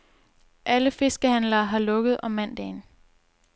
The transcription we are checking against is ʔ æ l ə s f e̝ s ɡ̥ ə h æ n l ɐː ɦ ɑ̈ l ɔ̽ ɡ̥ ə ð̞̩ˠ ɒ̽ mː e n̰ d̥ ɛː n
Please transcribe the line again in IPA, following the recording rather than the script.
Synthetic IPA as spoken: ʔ æ l ə f e̝ s ɡ̥ ə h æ n l ɐː ɦ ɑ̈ l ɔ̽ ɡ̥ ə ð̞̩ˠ ɒ̽ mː æ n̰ d̥ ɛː n